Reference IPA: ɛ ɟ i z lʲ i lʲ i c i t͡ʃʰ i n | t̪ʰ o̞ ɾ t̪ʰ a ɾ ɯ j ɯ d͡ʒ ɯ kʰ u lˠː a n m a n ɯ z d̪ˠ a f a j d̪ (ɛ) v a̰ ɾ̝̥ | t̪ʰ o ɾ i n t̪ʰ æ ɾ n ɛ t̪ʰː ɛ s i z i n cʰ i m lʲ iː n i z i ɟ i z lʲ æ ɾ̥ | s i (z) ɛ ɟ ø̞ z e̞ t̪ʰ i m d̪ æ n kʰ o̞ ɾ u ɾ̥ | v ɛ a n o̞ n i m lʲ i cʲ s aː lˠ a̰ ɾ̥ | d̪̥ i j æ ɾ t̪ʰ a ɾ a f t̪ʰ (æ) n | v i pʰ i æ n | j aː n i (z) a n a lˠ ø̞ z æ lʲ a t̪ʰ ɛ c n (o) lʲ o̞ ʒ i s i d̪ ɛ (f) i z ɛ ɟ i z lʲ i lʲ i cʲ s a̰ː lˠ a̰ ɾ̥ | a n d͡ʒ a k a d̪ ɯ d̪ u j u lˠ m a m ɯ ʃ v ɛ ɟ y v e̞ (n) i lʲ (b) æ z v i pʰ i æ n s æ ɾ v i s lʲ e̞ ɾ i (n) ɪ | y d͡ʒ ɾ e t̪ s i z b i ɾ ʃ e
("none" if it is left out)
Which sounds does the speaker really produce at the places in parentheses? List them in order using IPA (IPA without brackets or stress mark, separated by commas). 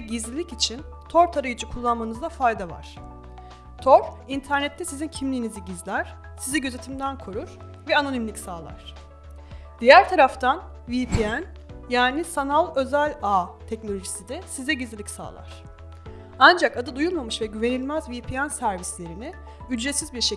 a, z, a, s, o, s, n, m, n